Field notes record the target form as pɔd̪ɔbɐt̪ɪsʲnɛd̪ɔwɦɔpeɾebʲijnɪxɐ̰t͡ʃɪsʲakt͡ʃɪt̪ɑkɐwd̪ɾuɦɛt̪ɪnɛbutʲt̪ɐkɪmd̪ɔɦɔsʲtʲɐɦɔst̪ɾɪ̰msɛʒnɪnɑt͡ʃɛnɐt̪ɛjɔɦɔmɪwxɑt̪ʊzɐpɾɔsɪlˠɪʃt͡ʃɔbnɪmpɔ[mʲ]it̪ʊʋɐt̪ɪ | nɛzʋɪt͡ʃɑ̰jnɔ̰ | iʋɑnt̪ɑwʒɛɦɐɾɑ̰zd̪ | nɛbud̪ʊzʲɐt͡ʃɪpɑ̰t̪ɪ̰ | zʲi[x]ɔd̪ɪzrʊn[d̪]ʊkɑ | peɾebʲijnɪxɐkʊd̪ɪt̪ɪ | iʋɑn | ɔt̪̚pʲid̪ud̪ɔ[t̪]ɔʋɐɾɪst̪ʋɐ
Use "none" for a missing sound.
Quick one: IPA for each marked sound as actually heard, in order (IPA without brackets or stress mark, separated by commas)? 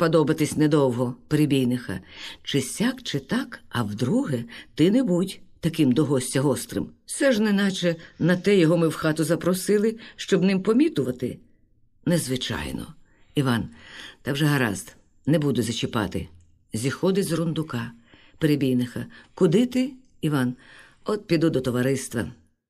mʲ, x, d̪, t̪